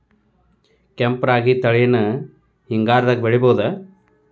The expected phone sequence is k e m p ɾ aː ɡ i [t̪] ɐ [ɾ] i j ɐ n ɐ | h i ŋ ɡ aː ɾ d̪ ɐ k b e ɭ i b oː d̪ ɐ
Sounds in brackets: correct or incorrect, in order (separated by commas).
correct, incorrect